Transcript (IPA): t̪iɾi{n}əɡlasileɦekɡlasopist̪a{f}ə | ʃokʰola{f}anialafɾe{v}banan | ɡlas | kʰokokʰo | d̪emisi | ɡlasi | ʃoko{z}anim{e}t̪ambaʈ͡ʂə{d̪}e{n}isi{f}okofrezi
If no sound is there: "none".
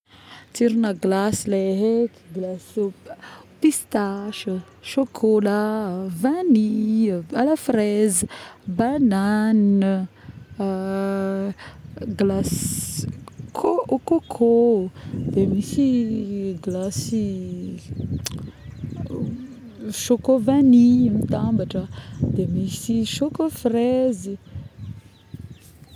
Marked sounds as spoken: n, ʃ, v, z, v, i, d̪, m, ʃ

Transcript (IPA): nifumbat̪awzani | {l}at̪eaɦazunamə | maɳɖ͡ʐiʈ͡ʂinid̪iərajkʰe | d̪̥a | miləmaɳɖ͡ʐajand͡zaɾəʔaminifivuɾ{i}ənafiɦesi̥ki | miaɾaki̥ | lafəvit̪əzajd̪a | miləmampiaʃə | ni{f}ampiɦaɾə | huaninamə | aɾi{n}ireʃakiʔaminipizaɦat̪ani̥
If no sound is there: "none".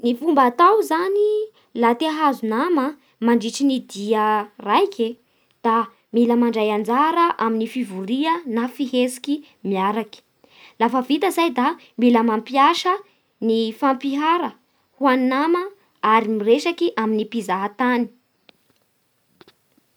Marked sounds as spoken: l, i, f, m

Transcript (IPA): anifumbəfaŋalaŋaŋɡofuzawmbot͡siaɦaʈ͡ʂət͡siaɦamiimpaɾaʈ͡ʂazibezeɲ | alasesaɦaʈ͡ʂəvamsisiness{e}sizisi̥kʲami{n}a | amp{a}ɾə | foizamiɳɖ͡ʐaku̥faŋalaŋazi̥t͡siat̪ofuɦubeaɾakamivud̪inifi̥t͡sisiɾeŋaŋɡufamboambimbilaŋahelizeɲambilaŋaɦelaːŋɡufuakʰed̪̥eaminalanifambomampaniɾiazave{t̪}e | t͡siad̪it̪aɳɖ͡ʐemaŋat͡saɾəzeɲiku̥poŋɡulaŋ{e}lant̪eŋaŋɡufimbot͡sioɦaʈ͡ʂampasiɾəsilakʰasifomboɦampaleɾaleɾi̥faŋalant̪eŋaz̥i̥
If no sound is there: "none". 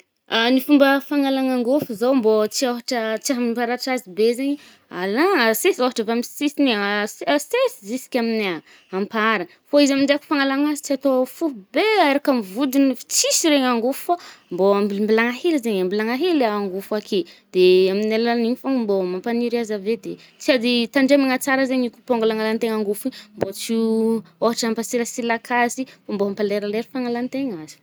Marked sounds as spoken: e, n, a, d̪, a

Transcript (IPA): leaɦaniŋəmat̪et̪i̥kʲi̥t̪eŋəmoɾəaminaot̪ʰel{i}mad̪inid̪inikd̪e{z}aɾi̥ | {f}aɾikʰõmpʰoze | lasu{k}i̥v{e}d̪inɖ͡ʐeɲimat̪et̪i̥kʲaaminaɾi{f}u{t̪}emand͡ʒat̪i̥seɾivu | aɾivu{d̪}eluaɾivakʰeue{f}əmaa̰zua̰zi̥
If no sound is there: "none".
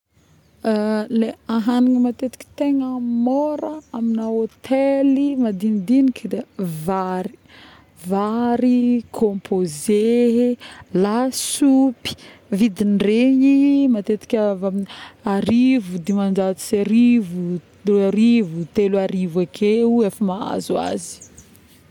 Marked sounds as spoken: i, v, v, p, i, v, d̪, t̪, f

